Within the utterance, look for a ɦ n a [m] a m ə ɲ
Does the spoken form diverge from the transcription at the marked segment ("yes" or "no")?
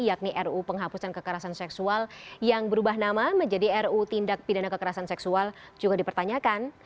no